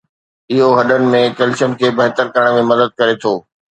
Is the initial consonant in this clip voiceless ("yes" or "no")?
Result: no